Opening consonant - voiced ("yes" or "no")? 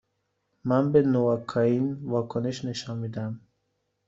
yes